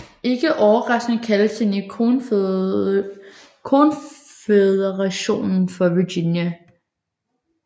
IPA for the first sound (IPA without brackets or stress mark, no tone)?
e̝